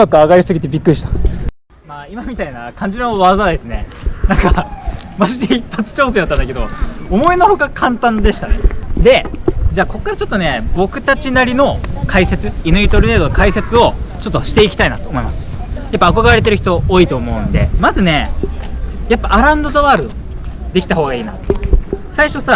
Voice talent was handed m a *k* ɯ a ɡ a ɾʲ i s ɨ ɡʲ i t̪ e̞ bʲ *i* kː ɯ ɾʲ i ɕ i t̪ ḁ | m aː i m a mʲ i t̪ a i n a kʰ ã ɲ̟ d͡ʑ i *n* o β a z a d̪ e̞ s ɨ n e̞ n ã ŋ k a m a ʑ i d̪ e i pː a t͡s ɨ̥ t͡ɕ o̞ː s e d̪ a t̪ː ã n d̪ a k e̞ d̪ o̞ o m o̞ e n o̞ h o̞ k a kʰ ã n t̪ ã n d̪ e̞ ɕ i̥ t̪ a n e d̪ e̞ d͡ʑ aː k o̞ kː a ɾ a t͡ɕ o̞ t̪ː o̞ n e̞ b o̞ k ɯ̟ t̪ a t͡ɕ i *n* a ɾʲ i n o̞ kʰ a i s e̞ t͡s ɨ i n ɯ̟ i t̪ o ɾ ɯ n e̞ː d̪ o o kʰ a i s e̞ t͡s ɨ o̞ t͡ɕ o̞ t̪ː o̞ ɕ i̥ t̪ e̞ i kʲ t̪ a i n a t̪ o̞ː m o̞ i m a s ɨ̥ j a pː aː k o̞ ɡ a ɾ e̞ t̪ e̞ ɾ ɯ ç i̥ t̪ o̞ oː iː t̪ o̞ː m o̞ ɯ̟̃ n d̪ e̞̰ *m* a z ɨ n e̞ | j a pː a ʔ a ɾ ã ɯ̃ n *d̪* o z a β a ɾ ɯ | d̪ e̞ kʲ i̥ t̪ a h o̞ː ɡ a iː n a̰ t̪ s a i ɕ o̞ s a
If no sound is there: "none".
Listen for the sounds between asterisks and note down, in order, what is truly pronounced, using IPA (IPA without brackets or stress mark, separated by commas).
k, i, n, n, m, d̪